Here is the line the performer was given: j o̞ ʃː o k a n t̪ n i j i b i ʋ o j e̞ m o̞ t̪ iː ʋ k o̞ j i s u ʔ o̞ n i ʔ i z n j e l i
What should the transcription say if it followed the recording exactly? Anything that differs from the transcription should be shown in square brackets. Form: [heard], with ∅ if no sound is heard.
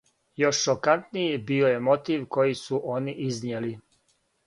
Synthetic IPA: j o̞ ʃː o k a n t̪ n i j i b i [∅] o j e̞ m o̞ t̪ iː ʋ k o̞ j i s u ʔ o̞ n i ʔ i z n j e l i